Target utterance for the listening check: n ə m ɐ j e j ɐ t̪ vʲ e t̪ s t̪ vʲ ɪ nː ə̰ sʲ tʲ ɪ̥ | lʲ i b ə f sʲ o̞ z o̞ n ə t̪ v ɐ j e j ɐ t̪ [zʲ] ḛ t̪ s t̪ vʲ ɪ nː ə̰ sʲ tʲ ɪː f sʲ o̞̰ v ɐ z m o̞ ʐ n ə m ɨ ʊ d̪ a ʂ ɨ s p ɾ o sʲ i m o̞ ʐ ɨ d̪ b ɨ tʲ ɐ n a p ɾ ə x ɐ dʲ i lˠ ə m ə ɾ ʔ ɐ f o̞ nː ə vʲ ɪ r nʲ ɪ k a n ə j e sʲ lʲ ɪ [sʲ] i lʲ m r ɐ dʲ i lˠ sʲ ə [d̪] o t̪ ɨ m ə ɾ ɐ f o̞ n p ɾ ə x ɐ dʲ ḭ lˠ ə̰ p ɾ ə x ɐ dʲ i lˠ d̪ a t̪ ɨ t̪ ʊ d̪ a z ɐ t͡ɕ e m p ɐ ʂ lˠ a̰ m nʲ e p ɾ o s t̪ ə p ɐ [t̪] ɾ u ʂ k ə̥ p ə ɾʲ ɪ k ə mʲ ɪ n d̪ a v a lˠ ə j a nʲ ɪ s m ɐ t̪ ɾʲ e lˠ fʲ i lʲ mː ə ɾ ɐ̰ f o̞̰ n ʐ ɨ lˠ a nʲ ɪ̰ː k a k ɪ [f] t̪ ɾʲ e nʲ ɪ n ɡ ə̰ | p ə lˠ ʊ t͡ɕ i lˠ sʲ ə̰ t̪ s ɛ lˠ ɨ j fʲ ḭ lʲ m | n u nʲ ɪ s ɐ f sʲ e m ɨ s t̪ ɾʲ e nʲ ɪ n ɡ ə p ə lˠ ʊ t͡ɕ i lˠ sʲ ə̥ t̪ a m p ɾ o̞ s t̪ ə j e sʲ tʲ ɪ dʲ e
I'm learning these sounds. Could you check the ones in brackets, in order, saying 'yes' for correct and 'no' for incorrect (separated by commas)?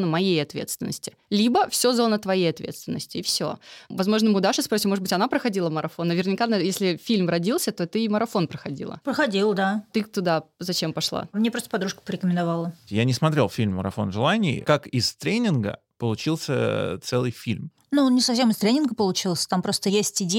no, no, no, no, no